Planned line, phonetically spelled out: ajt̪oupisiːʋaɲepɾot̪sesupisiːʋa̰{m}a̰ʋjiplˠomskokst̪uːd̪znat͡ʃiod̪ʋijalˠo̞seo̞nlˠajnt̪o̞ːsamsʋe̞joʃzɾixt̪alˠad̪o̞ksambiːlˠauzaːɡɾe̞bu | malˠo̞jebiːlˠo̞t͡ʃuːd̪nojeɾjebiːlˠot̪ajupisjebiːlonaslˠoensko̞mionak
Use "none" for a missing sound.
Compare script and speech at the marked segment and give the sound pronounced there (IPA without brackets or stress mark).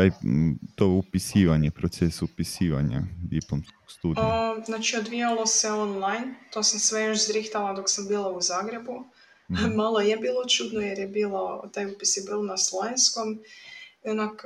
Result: ɲ